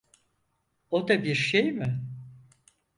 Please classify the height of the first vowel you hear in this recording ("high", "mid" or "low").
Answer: mid